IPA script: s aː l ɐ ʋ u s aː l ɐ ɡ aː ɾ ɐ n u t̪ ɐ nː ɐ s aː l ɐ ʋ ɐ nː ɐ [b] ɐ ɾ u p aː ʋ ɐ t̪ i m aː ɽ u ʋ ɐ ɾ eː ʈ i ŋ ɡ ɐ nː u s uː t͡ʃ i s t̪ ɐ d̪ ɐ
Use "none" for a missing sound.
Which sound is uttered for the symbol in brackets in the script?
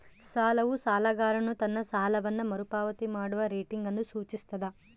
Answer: m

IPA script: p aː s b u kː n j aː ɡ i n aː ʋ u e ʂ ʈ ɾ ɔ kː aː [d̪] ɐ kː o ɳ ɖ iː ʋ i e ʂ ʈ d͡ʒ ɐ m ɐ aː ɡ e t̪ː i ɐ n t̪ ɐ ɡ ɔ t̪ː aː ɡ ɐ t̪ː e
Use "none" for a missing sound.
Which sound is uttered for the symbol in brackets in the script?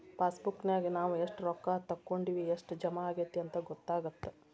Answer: t̪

